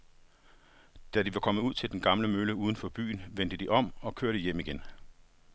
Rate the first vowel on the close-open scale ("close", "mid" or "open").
open